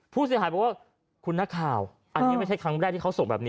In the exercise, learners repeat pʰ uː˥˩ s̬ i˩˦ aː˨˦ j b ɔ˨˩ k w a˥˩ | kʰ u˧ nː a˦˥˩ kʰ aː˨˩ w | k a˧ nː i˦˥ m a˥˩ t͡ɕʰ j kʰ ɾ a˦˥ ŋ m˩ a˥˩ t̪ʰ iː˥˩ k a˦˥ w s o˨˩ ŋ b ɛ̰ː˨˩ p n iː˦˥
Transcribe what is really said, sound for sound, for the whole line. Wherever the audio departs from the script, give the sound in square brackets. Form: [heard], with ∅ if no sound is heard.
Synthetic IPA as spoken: pʰ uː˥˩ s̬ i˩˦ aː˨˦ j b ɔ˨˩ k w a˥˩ | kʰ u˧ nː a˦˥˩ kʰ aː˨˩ w | [ʔ] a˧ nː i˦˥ m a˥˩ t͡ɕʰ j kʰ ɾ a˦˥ ŋ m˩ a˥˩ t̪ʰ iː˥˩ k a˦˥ w s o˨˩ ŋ b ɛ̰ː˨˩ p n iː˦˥